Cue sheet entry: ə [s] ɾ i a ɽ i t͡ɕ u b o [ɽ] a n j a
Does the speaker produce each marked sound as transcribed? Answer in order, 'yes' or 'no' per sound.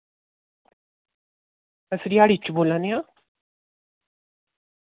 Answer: yes, no

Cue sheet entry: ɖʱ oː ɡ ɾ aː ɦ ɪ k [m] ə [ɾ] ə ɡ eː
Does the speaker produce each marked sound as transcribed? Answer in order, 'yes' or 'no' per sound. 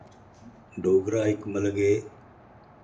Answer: yes, no

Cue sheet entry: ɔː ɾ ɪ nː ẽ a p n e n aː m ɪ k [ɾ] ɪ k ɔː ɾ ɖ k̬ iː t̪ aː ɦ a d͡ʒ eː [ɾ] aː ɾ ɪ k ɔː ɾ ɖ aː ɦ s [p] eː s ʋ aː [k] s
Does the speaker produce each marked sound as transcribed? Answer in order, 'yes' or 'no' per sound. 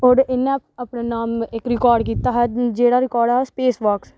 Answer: yes, no, yes, yes

